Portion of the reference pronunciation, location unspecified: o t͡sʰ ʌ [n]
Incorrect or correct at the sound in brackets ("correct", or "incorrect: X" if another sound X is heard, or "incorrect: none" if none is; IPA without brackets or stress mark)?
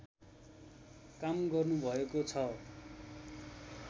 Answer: incorrect: none